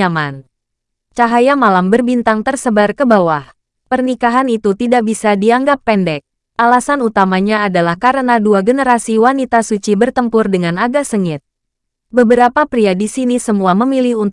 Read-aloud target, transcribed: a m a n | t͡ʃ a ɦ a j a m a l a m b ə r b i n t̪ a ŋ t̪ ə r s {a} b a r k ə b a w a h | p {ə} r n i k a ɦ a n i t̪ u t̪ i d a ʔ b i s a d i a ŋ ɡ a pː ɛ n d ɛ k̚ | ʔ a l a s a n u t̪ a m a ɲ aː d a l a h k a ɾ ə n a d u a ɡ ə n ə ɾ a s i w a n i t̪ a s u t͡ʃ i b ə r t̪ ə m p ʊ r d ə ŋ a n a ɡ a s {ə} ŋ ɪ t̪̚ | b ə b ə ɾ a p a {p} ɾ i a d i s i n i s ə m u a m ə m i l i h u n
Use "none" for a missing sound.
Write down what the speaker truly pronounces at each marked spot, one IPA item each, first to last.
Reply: ə, ə, ə, p

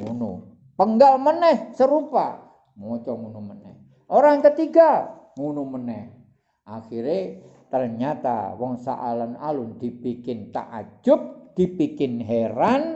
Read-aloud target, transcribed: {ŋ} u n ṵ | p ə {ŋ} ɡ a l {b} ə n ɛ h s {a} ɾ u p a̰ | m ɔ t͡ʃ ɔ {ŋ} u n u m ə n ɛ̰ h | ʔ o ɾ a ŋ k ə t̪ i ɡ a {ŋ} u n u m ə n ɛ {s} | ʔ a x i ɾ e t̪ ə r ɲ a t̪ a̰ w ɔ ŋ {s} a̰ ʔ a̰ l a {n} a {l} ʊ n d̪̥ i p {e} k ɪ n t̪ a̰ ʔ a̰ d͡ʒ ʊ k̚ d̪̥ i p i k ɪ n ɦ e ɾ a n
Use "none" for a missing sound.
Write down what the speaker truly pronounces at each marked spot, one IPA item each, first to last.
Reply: ŋ, ŋ, m, ə, ŋ, ŋ, h, s, n, l, i

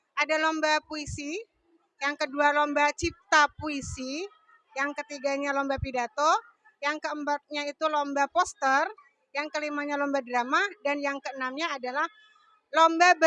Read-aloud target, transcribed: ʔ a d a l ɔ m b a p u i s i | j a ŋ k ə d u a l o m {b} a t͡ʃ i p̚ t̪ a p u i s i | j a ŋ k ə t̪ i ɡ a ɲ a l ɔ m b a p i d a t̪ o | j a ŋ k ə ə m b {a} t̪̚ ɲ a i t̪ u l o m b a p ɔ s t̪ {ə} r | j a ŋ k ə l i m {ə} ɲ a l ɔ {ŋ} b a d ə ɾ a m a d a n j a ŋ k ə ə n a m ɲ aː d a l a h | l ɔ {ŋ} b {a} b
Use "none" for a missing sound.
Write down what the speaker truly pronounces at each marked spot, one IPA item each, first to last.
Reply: b, a, ə, a, m, m, a

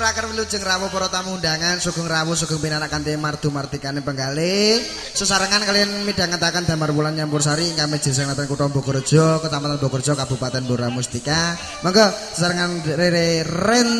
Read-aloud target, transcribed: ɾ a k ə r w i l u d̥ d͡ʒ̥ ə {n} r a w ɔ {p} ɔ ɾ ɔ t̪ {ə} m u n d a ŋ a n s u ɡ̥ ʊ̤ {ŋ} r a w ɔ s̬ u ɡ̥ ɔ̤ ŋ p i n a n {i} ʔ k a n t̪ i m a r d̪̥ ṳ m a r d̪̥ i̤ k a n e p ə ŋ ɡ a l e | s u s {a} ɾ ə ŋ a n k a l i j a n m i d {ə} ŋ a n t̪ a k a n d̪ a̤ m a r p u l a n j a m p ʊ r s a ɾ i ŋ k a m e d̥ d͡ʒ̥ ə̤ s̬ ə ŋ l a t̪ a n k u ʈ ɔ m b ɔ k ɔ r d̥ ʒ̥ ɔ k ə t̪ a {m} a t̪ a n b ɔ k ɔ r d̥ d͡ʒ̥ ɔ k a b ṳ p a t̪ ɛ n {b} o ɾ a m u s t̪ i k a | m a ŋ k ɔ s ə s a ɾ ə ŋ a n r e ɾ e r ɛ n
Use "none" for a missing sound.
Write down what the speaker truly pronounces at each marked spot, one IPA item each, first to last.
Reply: ŋ, p, a, ŋ, a, a, a, m, b

